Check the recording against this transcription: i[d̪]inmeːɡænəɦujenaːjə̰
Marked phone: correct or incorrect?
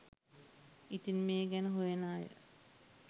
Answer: incorrect